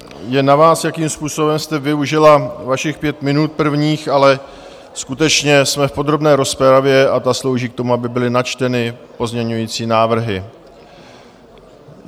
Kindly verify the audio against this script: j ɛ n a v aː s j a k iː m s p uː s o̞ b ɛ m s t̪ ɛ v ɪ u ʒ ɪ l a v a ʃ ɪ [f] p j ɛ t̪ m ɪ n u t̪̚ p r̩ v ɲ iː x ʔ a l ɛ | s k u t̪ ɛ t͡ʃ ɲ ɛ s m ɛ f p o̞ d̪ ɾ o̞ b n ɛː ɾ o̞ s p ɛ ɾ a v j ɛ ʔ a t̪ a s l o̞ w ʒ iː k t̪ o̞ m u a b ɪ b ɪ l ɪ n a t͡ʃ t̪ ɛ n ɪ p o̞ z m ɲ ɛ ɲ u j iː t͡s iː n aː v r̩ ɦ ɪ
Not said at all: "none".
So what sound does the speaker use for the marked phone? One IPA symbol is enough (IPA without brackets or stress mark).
x